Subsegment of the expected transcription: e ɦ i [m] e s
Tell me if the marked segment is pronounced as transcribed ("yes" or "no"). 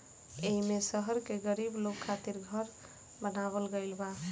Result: yes